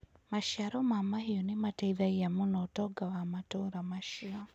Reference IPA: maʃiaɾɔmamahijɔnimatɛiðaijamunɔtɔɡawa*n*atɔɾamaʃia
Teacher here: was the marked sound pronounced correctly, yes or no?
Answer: no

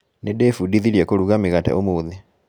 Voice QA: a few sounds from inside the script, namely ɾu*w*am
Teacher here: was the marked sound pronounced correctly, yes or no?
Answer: no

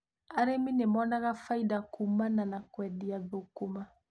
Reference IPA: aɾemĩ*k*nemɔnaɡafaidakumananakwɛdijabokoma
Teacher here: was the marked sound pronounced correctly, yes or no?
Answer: no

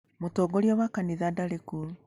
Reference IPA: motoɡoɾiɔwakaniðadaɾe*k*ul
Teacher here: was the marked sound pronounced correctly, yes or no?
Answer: yes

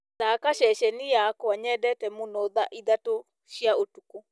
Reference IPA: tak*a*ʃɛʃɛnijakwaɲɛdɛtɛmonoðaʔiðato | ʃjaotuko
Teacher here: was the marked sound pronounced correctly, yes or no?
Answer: yes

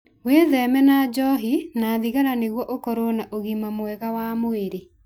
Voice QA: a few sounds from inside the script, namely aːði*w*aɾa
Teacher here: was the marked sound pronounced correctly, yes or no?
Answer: no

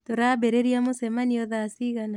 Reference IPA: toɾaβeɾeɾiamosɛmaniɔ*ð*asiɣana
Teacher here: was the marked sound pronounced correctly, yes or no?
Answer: yes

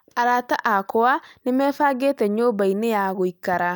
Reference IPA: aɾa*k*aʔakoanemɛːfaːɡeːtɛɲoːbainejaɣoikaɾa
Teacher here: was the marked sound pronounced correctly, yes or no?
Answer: no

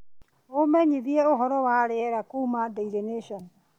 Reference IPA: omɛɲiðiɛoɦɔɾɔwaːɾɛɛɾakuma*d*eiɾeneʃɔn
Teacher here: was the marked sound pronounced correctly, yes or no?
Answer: yes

